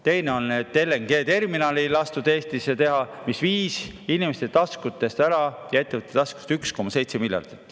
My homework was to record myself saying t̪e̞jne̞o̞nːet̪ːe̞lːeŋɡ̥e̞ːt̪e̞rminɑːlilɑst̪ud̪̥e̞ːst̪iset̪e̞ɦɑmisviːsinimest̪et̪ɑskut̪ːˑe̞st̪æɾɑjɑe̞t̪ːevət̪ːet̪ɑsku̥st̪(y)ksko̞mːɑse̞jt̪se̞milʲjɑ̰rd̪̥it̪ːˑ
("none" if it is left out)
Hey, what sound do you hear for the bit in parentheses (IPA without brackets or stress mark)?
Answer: y